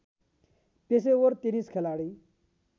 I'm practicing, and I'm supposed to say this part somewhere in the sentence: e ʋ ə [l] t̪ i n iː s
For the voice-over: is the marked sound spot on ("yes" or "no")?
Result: no